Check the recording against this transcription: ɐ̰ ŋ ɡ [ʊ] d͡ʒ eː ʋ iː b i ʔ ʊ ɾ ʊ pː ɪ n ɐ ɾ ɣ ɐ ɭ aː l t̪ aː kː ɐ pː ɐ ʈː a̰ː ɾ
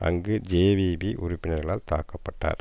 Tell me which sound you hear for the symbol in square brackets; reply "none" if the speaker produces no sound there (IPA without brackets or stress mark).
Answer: ɯ